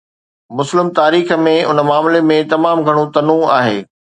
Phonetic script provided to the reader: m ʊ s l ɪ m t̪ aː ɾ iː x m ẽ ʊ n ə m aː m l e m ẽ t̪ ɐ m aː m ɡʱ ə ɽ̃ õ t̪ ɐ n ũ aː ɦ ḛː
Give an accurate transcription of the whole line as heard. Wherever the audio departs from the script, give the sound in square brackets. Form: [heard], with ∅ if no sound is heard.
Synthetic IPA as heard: m ʊ s l ɪ m t̪ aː ɾ iː x m ẽ ʊ n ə m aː m l e m ẽ t̪ ɐ m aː m ɡʱ [ɐ] ɽ̃ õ t̪ ɐ n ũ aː ɦ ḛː